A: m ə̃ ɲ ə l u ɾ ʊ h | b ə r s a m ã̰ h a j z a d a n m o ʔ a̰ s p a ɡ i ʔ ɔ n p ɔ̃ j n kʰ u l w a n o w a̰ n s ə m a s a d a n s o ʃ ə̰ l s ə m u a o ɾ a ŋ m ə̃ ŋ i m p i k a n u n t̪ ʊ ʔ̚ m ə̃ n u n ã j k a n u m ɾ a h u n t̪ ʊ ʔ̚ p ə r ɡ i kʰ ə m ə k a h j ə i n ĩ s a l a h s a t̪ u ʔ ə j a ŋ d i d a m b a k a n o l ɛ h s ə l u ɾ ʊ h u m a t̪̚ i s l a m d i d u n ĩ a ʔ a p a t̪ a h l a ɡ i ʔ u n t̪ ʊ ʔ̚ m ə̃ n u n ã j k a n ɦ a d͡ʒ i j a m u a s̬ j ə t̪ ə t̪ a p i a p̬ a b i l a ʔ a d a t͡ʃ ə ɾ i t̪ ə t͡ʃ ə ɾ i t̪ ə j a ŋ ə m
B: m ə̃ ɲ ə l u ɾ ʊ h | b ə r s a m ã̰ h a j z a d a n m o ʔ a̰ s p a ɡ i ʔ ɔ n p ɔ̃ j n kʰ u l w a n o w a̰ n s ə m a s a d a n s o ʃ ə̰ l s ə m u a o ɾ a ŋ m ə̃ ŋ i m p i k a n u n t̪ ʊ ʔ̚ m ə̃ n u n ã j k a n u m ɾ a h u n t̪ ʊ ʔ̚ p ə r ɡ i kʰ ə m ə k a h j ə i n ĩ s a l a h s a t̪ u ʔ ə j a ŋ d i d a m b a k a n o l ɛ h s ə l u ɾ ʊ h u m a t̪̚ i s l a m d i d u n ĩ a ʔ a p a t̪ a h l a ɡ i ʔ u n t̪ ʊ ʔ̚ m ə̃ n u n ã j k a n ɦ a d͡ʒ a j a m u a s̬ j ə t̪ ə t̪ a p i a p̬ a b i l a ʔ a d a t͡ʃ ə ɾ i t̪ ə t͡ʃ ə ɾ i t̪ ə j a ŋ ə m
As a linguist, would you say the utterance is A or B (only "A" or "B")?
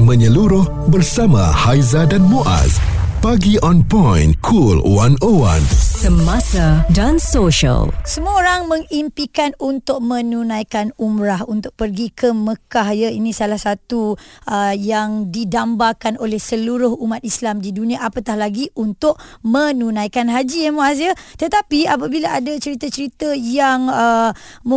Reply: A